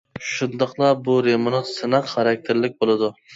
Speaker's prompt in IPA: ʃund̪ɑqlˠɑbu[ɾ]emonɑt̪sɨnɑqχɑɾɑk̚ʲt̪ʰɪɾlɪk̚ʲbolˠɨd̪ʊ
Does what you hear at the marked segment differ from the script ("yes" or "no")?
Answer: no